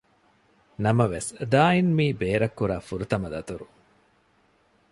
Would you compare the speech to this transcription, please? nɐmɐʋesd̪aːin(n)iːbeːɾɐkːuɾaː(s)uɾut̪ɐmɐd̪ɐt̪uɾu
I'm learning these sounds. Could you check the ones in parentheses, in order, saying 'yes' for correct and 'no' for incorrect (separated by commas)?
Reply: no, no